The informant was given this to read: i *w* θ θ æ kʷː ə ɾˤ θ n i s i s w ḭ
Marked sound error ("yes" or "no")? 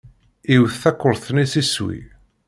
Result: no